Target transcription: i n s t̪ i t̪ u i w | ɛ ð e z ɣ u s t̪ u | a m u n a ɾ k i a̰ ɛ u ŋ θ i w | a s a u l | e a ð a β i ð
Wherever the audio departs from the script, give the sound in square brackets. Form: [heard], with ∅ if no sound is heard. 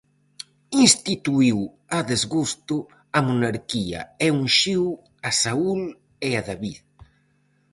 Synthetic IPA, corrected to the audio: i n s t̪ i t̪ u i w | [a] ð e z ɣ u s t̪ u | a m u n a ɾ k i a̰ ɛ u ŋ [ʃ] i w | a s a u l | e a ð a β i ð